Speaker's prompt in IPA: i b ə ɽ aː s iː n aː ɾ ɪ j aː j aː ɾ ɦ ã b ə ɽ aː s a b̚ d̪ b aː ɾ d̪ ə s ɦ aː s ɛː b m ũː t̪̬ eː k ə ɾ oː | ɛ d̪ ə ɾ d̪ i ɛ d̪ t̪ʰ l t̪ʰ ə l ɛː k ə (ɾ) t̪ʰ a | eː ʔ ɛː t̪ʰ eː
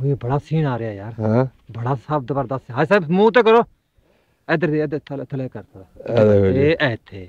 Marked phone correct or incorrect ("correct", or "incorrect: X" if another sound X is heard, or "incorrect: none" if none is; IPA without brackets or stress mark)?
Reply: correct